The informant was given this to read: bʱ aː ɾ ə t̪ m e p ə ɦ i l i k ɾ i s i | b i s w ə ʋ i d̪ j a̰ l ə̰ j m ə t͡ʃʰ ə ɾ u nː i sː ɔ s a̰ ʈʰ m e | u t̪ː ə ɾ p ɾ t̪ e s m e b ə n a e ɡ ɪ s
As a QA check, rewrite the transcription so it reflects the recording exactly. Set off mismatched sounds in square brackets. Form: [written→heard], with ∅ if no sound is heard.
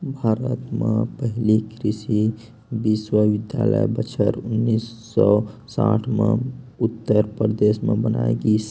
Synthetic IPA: bʱ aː ɾ ə t̪ m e p ə ɦ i l i k ɾ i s i | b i s w ə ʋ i d̪ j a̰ l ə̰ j [m→b] ə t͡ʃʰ ə ɾ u nː i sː ɔ s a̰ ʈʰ m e | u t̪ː ə ɾ p ɾ [t̪→d̪] e s m e b ə n a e ɡ [ɪ→i] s